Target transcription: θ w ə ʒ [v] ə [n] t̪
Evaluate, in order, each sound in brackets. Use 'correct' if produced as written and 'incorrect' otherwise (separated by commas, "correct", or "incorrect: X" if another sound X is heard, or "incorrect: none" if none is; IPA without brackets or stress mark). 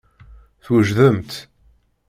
incorrect: ð, incorrect: m